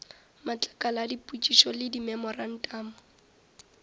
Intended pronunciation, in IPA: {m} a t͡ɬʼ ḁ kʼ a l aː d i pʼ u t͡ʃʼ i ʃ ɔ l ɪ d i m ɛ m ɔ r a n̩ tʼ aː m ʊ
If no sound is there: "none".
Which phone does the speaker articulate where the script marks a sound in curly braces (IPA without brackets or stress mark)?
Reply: m